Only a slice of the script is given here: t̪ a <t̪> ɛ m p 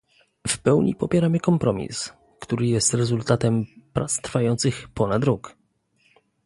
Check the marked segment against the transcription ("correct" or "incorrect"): correct